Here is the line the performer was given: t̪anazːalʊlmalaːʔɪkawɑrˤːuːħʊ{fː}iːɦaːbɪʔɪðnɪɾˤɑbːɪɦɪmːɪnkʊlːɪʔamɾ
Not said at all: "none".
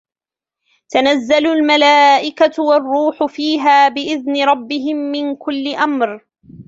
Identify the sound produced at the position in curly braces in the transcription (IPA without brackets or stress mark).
f